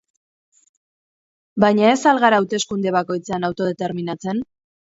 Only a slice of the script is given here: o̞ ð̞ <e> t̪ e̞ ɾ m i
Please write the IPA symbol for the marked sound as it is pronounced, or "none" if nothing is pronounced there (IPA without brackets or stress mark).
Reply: e